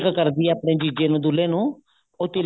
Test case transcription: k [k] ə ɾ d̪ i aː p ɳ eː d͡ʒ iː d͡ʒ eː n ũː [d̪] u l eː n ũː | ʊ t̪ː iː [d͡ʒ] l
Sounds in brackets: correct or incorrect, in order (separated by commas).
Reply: correct, correct, incorrect